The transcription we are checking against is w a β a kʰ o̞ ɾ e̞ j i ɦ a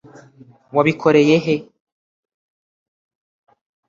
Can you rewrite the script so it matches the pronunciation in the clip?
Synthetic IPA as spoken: w a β i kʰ o̞ ɾ e̞ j e ɦ e